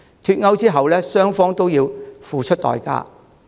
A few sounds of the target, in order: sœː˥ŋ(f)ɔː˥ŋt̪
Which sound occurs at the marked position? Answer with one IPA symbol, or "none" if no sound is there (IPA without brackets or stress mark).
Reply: f